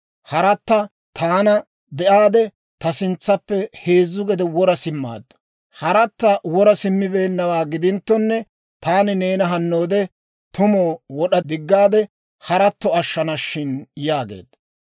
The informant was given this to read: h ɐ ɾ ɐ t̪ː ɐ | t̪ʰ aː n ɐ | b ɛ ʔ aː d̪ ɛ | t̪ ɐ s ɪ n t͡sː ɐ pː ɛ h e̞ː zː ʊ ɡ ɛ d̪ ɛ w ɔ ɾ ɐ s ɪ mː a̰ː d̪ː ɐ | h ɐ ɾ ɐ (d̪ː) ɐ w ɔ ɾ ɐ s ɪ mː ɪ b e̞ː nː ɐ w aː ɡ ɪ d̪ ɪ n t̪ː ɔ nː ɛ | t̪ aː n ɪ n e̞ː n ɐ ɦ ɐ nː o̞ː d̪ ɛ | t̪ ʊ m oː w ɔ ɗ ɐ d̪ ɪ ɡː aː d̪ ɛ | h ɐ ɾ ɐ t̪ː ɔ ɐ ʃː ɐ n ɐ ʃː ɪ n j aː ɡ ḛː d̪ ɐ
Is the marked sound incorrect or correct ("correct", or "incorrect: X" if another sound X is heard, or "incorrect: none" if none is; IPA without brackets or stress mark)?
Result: incorrect: t̪ː